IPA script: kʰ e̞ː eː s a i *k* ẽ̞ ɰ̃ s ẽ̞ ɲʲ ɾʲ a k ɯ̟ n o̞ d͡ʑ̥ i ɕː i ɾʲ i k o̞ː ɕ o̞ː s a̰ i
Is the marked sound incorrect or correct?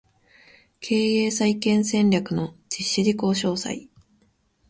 correct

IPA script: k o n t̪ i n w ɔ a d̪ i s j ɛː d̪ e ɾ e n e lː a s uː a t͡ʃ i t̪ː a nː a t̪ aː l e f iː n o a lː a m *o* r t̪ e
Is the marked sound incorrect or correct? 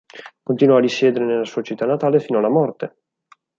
incorrect: ɔ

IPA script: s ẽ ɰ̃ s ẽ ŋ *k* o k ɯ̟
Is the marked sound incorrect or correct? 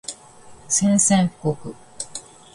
correct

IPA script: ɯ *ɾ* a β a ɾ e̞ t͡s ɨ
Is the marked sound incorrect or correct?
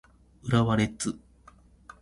correct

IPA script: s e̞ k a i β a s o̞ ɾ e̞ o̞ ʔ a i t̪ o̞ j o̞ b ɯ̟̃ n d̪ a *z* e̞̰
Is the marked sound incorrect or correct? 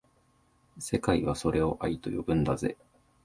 correct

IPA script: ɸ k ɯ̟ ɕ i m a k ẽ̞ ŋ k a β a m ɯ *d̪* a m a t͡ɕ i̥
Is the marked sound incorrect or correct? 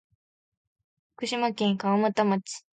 incorrect: t̪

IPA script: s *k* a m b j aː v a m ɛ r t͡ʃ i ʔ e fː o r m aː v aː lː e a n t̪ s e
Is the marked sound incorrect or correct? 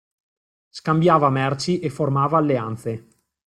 correct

